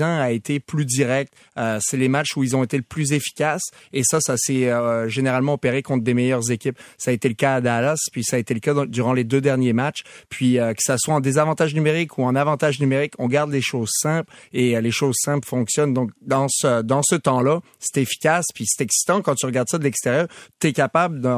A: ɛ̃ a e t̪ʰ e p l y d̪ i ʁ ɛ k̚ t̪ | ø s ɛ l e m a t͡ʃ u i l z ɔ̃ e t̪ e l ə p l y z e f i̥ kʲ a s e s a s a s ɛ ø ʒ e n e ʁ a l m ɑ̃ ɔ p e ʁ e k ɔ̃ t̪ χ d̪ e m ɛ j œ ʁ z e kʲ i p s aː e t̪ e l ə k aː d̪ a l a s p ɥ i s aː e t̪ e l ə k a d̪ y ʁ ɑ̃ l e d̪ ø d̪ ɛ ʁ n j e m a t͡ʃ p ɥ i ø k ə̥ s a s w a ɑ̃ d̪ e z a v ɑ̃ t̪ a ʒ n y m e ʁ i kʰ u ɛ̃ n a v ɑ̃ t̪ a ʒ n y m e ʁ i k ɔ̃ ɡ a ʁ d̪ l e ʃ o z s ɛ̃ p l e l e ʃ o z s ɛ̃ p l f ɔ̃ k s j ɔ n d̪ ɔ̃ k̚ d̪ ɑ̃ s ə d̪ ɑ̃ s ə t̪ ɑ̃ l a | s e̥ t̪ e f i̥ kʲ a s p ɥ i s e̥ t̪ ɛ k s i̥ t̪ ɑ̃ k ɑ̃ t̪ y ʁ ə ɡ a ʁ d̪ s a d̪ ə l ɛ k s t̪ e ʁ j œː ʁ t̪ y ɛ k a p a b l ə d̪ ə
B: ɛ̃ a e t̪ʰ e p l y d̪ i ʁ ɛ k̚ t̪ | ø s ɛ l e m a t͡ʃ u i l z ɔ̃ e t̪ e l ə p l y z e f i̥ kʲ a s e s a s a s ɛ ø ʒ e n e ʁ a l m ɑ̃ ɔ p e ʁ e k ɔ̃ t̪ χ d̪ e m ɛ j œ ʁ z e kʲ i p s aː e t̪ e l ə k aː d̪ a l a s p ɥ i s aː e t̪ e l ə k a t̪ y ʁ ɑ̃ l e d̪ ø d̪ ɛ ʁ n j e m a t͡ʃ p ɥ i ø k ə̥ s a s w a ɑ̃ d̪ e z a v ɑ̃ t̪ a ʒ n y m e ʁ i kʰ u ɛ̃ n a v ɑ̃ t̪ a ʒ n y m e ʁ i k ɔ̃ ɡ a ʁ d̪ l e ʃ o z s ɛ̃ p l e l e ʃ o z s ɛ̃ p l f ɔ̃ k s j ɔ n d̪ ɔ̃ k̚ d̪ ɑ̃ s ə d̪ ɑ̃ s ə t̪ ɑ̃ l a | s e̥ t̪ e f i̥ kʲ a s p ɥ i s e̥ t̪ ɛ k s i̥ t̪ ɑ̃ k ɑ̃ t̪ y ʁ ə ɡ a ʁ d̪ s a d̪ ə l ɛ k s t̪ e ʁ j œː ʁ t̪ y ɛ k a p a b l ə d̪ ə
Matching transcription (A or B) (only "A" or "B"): A